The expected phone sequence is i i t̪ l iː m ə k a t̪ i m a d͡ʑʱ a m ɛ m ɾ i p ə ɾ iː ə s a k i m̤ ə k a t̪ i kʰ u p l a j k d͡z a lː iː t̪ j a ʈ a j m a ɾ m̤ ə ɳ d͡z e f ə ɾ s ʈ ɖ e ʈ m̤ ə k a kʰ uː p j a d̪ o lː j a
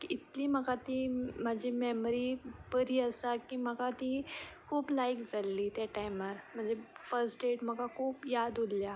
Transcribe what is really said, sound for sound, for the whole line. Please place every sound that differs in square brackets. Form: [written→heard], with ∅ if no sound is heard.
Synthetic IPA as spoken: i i t̪ l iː m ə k a t̪ i m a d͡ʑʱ [a→i] m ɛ m ɾ i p ə ɾ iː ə s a k i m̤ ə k a t̪ i kʰ [u→uː] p l a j k d͡z a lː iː t̪ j a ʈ a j m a ɾ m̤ ə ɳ d͡z e f ə ɾ s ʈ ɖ e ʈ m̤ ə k a kʰ uː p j a d̪ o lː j a